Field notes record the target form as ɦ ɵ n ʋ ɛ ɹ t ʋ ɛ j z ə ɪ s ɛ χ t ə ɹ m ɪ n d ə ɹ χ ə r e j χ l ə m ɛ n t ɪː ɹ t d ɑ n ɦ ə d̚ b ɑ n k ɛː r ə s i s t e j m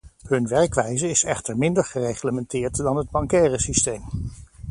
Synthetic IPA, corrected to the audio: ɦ ɵ n ʋ ɛ ɹ k ʋ ɛ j z ə ɪ s ɛ χ t ə ɹ m ɪ n d ə ɹ χ ə r e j χ l ə m ɛ n t ɪː ɹ t d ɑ n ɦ ə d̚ b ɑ ŋ k ɛː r ə s i s t e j m